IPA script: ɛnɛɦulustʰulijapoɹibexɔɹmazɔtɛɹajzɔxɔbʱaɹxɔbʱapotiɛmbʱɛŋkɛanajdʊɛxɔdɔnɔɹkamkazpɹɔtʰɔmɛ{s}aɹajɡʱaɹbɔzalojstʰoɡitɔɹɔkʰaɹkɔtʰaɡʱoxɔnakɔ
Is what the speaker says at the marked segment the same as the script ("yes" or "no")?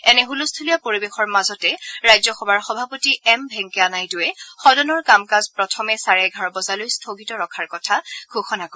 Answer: yes